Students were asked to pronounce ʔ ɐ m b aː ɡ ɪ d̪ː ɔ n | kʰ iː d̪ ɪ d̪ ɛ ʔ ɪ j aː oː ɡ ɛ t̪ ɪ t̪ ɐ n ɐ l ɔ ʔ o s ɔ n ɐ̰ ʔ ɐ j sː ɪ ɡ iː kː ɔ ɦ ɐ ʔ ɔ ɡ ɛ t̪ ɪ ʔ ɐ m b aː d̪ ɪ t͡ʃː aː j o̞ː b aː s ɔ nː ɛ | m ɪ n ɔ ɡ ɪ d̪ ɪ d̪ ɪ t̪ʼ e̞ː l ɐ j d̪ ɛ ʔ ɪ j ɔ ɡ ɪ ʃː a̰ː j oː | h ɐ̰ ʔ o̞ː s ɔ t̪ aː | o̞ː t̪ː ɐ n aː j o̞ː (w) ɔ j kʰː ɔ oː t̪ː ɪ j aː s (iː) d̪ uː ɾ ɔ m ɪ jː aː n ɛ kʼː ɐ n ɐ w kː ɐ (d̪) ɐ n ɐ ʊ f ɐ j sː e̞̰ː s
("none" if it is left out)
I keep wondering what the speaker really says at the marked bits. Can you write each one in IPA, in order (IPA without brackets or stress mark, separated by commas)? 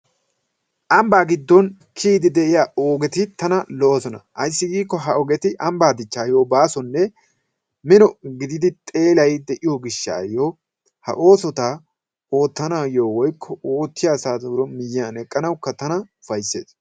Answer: w, aː, t̪